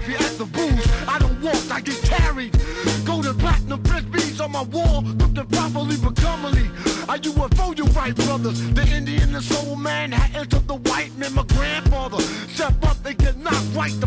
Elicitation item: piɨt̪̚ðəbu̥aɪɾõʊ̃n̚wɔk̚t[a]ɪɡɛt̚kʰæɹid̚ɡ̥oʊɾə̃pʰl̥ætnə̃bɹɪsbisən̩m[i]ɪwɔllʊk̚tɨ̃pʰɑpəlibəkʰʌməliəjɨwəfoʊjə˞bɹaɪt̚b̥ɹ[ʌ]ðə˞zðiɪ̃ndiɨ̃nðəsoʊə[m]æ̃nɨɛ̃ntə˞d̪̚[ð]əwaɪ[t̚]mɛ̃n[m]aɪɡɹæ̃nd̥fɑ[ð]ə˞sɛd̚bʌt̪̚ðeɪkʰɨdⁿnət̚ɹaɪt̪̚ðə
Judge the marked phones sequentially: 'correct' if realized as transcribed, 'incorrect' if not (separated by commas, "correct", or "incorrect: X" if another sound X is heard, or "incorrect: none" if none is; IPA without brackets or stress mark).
correct, incorrect: a, correct, correct, correct, correct, correct, correct